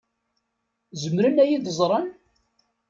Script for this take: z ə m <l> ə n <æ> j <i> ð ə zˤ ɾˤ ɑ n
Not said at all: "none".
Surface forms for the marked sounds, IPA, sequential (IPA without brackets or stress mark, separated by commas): ɾ, æ, i